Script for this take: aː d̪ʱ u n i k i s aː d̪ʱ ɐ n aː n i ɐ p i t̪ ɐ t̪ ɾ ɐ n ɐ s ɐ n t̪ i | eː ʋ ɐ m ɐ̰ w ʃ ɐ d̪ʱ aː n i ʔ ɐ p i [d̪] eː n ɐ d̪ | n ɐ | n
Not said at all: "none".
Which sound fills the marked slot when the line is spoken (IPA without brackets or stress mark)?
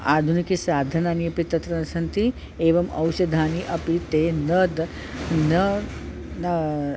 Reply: t̪